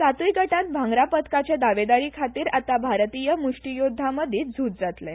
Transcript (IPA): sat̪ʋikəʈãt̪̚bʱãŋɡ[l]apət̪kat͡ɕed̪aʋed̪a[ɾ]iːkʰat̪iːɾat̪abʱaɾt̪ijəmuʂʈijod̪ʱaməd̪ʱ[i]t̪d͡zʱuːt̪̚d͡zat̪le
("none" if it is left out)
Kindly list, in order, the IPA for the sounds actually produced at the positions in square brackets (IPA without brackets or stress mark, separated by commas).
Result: ɾ, ɾ, iː